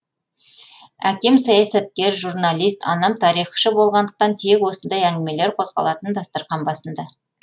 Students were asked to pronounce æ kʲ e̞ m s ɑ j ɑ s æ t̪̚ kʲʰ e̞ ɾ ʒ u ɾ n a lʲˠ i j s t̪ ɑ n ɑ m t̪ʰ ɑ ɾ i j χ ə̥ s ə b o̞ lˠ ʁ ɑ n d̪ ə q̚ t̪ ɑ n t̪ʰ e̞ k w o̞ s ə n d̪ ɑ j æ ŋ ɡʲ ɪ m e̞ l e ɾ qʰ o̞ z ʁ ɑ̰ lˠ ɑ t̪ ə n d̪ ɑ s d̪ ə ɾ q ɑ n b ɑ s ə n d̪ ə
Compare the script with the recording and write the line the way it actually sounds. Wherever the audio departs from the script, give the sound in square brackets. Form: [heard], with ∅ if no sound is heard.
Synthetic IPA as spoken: æ kʲ e̞ m s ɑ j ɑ s æ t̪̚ [kʲ] e̞ ɾ ʒ u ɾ n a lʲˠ i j s t̪ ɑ n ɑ m t̪ʰ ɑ ɾ i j χ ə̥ [ʃ] ə b o̞ lˠ ʁ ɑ n d̪ ə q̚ t̪ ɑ n t̪ʰ e̞ k w o̞ s ə n d̪ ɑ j æ ŋ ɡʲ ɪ m e̞ l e ɾ qʰ o̞ z ʁ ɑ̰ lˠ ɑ t̪ ə n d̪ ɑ s [t̪] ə ɾ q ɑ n b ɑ s ə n d̪ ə